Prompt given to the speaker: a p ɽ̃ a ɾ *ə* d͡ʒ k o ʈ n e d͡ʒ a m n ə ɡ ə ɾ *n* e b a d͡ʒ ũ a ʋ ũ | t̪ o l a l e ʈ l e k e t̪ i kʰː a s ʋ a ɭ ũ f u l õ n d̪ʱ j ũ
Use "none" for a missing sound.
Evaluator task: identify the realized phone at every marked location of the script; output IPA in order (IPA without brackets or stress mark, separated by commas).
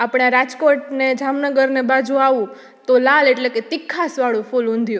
a, n